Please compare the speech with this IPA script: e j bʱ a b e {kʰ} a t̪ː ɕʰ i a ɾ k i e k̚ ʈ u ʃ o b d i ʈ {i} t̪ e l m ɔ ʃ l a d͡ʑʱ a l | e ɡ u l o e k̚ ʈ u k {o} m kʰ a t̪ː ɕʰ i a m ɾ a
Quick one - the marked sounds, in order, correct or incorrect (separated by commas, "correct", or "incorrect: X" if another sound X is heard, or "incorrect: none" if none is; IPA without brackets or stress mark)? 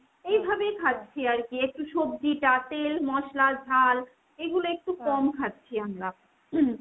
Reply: correct, incorrect: a, incorrect: ɔ